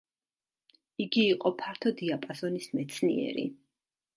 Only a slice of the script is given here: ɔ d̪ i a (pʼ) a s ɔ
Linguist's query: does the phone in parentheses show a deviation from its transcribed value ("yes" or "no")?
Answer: no